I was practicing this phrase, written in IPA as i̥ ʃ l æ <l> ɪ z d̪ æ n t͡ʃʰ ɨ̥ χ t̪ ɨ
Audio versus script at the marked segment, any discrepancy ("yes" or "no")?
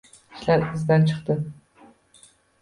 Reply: yes